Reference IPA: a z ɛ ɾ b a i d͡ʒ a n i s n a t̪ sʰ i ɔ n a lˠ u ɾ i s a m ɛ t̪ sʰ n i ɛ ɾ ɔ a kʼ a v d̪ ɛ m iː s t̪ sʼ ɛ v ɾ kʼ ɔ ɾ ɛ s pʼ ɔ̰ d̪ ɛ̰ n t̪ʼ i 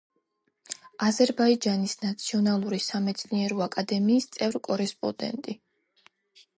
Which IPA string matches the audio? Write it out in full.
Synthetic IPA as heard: a z ɛ ɾ b a i d͡ʒ a n i s n a t̪ sʰ i ɔ n a lˠ u ɾ i s a m ɛ t̪ sʰ n i ɛ ɾ ɔ a kʼ a d̪ ɛ m iː s t̪ sʼ ɛ v ɾ kʼ ɔ ɾ ɛ s pʼ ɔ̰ d̪ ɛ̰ n t̪ʼ i

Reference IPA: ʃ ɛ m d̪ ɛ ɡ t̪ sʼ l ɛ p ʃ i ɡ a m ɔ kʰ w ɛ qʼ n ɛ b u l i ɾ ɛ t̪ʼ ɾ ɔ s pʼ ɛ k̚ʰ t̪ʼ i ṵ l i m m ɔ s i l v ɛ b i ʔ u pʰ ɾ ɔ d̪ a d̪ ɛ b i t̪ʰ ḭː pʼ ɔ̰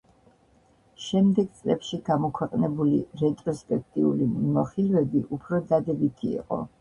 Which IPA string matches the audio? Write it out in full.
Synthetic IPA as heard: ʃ ɛ m d̪ ɛ ɡ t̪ sʼ l ɛ p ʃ i ɡ a m ɔ kʰ w ɛ qʼ n ɛ b u l i ɾ ɛ t̪ʼ ɾ ɔ s pʼ ɛ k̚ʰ t̪ʼ i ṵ l i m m ɔ χ i l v ɛ b i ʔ u pʰ ɾ ɔ d̪ a d̪ ɛ b i t̪ʰ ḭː qʼ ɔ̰

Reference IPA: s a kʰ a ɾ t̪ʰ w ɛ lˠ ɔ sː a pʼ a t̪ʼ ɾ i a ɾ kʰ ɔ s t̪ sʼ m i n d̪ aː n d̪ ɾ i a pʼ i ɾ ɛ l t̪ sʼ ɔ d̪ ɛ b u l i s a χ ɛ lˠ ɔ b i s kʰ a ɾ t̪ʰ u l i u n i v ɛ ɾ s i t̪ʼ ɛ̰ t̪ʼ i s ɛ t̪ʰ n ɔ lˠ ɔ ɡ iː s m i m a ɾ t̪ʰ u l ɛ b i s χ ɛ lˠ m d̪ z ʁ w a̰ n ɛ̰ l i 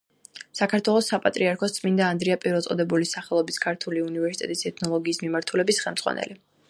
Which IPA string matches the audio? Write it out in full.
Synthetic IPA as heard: s a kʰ a ɾ t̪ʰ w ɛ lˠ ɔ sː a pʼ a t̪ʼ ɾ i a ɾ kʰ ɔ s t̪ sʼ m i n d̪ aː n d̪ ɾ i a pʼ i ɾ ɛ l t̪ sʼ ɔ d̪ ɛ b u l i s a χ ɛ lˠ ɔ b i s kʰ a ɾ t̪ʰ u l i u n i v ɛ ɾ s i t̪ʼ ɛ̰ t̪ʼ i s ɛ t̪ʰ n ɔ lˠ ɔ ɡ iː s m i m a ɾ t̪ʰ u l ɛ b i s χ ɛ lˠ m d̪ z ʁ w a̰ n ɛ̰ l i

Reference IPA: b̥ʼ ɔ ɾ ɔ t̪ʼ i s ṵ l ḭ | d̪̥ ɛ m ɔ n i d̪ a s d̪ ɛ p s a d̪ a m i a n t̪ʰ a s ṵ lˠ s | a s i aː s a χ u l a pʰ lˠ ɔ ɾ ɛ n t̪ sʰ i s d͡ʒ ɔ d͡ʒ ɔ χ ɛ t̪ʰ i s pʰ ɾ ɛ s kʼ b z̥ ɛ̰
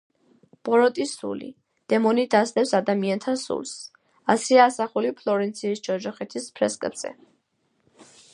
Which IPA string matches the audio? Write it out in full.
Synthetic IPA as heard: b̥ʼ ɔ ɾ ɔ t̪ʼ i s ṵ l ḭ | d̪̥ ɛ m ɔ n i d̪ a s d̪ ɛ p s a d̪ a m i a n t̪ʰ a s ṵ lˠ s | a s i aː s a χ u l i pʰ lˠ ɔ ɾ ɛ n t̪ sʰ i s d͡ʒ ɔ d͡ʒ ɔ χ ɛ t̪ʰ i s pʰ ɾ ɛ s kʼ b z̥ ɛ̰

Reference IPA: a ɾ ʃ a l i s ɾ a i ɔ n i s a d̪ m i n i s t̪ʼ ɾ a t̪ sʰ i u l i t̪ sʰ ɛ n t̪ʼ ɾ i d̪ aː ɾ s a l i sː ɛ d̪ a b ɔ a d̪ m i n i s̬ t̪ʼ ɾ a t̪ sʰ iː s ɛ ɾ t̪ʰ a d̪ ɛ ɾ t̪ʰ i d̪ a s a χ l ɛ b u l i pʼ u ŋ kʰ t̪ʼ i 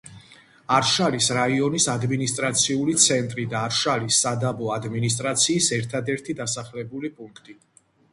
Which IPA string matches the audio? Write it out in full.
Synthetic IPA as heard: a ɾ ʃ a l i s ɾ a i ɔ n i s a d̪ m i n i s t̪ʼ ɾ a t̪ sʰ i u l i t̪ sʰ ɛ n t̪ʼ ɾ i d̪ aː ɾ ʃ a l i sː a d̪ a b ɔ a d̪ m i n i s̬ t̪ʼ ɾ a t̪ sʰ iː s ɛ ɾ t̪ʰ a d̪ ɛ ɾ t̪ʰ i d̪ a s a χ l ɛ b u l i pʼ u ŋ kʰ t̪ʼ i

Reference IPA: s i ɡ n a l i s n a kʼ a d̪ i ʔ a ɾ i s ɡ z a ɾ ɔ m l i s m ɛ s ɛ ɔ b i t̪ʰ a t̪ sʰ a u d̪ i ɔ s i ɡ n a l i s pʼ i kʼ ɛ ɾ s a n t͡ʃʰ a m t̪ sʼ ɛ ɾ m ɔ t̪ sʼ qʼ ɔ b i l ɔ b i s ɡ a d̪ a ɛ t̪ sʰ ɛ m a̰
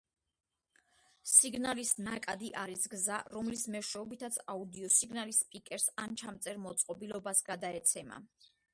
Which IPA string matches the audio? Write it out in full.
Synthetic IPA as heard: s i ɡ n a l i s n a kʼ a d̪ i ʔ a ɾ i s ɡ z a ɾ ɔ m l i s m ɛ ʃ ɛ ɔ b i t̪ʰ a t̪ sʰ a u d̪ i ɔ s i ɡ n a l i s pʼ i kʼ ɛ ɾ s a n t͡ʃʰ a m t̪ sʼ ɛ ɾ m ɔ t̪ sʼ qʼ ɔ b i l ɔ b a s ɡ a d̪ a ɛ t̪ sʰ ɛ m a̰

